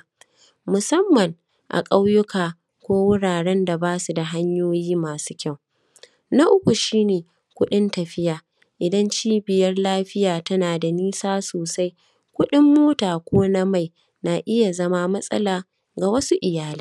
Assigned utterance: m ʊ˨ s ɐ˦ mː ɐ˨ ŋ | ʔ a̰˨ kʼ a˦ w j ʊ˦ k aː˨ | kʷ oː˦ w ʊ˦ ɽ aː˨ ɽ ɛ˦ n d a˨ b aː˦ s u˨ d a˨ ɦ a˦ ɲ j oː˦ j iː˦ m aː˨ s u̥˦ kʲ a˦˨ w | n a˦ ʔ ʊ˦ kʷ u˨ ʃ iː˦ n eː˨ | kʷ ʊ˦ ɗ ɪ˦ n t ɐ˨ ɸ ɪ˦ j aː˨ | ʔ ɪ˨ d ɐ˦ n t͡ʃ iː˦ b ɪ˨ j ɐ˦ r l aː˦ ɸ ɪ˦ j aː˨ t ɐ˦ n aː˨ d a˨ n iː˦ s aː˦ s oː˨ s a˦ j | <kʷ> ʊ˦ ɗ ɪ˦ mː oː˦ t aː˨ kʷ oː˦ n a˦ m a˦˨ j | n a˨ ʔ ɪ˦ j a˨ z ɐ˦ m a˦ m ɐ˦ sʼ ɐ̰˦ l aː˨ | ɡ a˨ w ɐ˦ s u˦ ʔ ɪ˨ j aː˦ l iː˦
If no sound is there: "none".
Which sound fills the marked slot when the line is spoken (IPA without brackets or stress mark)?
kʷ